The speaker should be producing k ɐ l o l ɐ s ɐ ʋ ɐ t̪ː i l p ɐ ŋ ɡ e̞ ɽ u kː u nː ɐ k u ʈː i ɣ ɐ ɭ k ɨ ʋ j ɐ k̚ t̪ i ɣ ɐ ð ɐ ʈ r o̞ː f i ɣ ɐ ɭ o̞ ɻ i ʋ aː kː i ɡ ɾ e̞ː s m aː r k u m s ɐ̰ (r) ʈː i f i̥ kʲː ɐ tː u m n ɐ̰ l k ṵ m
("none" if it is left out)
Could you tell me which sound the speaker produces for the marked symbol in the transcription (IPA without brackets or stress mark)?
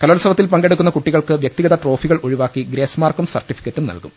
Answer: r